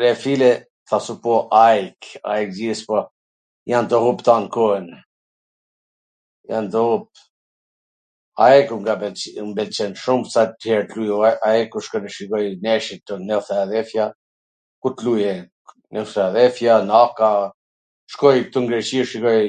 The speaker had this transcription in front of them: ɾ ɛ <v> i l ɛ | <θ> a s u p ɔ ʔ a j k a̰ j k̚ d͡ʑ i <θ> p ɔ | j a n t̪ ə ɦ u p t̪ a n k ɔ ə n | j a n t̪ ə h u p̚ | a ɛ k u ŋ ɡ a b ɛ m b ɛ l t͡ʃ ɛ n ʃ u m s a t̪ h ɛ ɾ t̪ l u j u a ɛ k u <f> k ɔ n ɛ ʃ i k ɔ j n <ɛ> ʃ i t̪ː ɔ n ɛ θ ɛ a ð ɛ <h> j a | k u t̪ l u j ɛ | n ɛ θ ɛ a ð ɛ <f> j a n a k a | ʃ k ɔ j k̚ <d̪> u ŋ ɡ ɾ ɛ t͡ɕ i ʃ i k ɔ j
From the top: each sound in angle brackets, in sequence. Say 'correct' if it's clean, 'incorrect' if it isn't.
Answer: incorrect: f, correct, incorrect: s, incorrect: ʃ, correct, incorrect: f, correct, incorrect: t̪

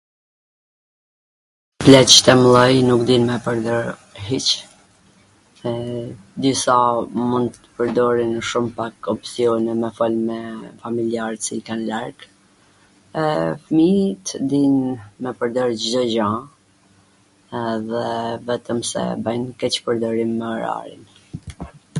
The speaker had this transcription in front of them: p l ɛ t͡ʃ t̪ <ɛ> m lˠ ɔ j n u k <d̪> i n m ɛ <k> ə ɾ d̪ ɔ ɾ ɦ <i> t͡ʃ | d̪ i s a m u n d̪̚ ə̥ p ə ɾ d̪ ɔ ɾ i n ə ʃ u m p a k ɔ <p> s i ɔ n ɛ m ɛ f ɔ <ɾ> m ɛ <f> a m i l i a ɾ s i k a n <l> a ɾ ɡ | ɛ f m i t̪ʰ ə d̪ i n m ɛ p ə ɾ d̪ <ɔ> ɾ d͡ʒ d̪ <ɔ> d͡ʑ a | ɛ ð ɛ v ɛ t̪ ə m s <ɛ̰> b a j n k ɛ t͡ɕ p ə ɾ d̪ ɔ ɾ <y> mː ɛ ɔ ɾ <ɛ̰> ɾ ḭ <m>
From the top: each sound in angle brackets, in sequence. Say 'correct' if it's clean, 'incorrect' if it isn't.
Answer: correct, correct, incorrect: p, correct, correct, incorrect: l, correct, correct, correct, correct, correct, incorrect: i, incorrect: a̰, incorrect: n

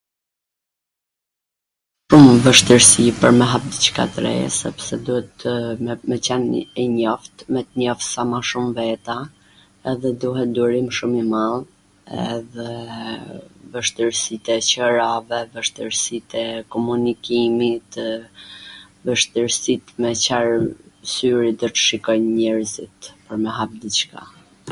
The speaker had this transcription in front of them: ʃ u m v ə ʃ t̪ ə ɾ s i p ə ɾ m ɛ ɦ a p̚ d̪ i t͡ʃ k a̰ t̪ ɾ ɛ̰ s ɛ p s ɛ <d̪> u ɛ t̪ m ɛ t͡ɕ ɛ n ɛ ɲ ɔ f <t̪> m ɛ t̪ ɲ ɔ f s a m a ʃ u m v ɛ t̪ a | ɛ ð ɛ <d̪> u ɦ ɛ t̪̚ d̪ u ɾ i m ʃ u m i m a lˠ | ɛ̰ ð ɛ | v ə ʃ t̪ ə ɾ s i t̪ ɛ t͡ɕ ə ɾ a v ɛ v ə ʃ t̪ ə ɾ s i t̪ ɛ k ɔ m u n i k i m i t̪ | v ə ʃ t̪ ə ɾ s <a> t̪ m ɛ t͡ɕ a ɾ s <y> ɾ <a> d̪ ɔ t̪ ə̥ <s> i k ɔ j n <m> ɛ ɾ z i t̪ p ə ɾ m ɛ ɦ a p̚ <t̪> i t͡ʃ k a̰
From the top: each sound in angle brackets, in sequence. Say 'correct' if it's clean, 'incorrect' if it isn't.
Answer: correct, correct, correct, incorrect: i, correct, incorrect: i, incorrect: ʃ, incorrect: ɲ, incorrect: d̪

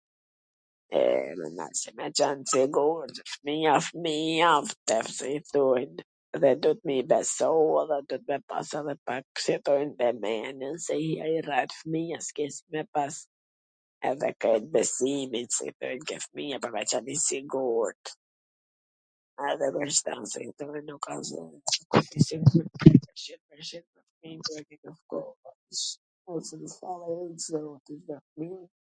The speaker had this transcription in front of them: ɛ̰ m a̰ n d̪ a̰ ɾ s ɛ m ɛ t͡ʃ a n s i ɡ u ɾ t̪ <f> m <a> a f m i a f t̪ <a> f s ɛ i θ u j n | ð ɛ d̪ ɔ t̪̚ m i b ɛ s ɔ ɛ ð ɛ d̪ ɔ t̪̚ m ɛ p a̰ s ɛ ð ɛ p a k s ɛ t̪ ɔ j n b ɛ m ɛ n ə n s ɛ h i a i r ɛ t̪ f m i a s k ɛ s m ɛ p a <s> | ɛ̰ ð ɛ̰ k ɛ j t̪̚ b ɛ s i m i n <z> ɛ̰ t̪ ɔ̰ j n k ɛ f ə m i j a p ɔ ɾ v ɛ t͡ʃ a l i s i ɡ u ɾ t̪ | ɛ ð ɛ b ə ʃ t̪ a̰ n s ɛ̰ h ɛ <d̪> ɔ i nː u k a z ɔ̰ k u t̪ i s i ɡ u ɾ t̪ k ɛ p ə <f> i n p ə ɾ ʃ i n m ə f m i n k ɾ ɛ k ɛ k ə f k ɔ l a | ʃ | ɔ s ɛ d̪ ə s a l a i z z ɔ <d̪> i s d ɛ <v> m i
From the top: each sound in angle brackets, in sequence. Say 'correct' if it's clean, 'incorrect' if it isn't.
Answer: correct, incorrect: i, incorrect: ɛ, correct, incorrect: s, incorrect: t̪, incorrect: ʃ, incorrect: t̪, incorrect: f

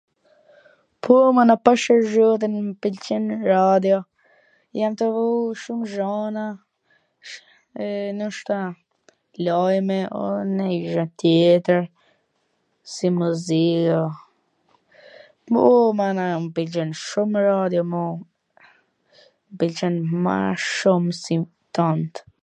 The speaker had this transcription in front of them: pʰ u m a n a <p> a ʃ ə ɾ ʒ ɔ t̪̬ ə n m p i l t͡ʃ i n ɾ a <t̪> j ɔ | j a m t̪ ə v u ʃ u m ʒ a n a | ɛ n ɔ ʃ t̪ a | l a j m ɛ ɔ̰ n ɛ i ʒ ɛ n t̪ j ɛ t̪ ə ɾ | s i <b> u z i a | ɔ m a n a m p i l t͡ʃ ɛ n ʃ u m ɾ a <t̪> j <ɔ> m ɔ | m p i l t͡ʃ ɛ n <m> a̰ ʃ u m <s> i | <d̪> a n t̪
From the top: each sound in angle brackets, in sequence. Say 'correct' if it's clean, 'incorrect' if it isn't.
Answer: correct, incorrect: d̪, incorrect: m, incorrect: d̪, correct, correct, correct, incorrect: t̪

